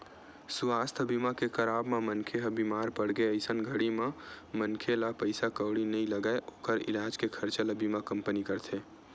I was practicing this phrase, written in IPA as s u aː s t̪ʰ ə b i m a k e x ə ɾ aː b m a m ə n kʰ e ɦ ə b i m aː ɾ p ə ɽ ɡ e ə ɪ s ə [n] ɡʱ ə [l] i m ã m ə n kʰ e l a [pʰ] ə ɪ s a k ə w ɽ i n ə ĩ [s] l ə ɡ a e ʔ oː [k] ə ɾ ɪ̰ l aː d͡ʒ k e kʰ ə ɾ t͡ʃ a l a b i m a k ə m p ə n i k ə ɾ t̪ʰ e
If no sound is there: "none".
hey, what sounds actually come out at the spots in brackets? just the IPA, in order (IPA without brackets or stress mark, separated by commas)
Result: n, ɽ, p, none, k